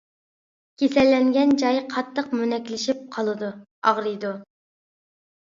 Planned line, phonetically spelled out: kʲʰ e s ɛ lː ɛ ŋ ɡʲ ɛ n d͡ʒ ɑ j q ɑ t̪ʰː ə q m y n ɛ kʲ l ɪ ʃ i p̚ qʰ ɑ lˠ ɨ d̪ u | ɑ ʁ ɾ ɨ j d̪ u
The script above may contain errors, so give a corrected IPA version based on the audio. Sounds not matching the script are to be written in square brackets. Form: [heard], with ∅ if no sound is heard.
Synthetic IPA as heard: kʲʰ e s ɛ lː ɛ ŋ ɡʲ ɛ n d͡ʒ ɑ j [qʰ] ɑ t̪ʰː ə q m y n ɛ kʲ l ɪ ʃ i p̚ qʰ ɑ lˠ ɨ d̪ u | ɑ ʁ ɾ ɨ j d̪ u